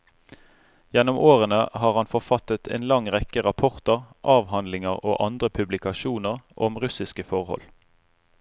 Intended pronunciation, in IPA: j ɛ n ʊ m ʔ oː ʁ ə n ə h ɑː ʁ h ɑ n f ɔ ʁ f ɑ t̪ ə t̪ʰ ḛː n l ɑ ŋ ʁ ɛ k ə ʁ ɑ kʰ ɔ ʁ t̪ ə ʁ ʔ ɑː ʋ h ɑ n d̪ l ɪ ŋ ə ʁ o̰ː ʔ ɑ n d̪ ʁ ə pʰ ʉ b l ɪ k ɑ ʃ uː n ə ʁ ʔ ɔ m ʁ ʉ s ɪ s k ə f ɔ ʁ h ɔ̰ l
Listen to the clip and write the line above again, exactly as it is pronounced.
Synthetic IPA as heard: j ɛ n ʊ m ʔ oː ʁ ə n ə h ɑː ʁ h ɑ n f ɔ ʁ f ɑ t̪ ə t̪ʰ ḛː n l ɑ ŋ ʁ ɛ k ə ʁ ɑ pʰ ɔ ʁ t̪ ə ʁ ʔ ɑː ʋ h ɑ n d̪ l ɪ ŋ ə ʁ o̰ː ʔ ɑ n d̪ ʁ ə pʰ ʉ b l ɪ k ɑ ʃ uː n ə ʁ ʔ ɔ m ʁ ʉ s ɪ s k ə f ɔ ʁ h ɔ̰ l